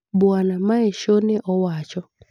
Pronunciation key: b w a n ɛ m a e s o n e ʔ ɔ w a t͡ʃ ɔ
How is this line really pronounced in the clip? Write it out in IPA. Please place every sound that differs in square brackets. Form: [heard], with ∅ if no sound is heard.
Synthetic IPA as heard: b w a n [a] m a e [ʃ] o n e ʔ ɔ w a t͡ʃ ɔ